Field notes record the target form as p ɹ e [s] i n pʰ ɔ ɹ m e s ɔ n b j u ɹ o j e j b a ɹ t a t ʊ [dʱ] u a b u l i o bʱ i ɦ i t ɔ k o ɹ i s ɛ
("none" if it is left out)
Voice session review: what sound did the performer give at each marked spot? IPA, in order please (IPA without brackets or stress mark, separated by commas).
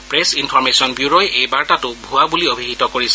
s, bʱ